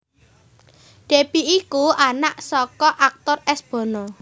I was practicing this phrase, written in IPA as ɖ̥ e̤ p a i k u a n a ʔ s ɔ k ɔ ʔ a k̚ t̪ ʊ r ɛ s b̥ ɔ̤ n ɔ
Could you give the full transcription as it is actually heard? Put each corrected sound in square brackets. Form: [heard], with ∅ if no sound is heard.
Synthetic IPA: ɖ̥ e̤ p [i] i k u a n a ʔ s ɔ k ɔ ʔ a k̚ t̪ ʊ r ɛ s b̥ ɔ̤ n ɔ